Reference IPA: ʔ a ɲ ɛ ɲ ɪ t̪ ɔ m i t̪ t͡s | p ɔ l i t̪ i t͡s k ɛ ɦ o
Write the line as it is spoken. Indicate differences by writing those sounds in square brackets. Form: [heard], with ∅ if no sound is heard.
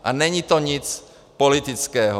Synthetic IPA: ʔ a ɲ ɛ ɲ [i] t̪ ɔ [ɲ] i [∅] t͡s | p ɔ l i t̪ i t͡s k [ɛː] ɦ [ɔ]